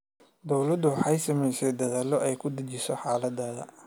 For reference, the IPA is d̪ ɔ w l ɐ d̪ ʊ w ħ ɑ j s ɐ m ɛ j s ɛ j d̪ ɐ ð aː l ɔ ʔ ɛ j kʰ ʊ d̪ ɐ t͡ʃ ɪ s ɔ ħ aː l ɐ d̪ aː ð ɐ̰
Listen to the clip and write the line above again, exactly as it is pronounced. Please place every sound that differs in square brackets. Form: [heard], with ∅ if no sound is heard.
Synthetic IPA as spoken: d̪ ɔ w l ɐ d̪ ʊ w ħ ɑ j s ɐ m ɛ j s ɛ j d̪ ɐ ð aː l ɔ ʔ ɛ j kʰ ʊ d̪ ɐ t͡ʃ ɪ s ɔ ħ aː l ɐ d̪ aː ð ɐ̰